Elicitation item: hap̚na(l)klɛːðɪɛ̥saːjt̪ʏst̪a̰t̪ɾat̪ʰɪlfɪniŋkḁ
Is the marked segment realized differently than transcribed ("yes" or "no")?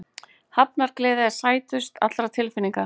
yes